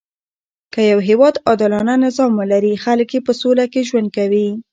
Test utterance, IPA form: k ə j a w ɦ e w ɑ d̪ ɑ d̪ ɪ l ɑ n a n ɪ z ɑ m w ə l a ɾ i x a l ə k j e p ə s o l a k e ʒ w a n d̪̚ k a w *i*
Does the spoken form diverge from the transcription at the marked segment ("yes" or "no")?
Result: no